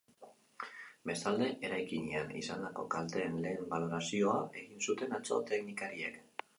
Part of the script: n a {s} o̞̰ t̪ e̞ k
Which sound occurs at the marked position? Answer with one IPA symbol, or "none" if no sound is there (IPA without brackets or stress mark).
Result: t͡s